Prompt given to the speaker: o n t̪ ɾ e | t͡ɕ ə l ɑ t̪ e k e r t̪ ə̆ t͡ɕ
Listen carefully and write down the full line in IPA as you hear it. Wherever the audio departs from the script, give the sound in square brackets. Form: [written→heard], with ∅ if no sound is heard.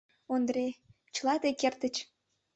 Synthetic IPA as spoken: o n [t̪→d̪] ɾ e | t͡ɕ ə l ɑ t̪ e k e r t̪ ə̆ t͡ɕ